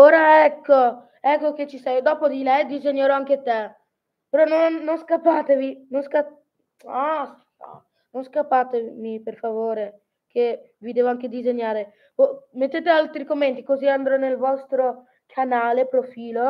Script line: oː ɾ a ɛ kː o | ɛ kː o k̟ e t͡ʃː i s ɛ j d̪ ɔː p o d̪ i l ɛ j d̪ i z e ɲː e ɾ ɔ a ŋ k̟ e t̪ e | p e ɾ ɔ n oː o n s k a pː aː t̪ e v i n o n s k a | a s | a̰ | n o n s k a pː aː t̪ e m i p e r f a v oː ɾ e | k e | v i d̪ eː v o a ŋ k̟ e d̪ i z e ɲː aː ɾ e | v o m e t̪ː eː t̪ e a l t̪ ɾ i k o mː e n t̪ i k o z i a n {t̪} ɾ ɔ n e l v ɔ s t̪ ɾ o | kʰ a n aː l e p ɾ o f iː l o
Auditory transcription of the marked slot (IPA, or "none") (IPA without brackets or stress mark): d̪